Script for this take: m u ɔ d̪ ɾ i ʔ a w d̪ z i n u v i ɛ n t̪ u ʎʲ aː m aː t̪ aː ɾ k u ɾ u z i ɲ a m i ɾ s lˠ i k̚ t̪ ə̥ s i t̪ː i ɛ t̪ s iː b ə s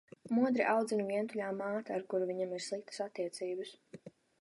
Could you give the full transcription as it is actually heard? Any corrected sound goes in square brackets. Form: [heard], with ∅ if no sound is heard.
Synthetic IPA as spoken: m u ɔ d̪ ɾ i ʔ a w d̪ z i n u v i ɛ n t̪ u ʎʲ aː m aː t̪ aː ɾ k u ɾ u [v] i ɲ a m i ɾ s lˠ i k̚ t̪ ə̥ s [a] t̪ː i ɛ t̪ s iː b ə s